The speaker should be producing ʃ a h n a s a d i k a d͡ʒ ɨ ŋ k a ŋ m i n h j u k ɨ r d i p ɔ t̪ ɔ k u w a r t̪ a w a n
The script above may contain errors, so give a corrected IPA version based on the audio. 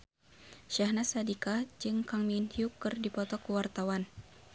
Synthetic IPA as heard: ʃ a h n a s a d i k a d͡ʒ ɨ ŋ k a ŋ m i n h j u k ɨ r d i p ɔ t̪ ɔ k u w a r t̪ a w a n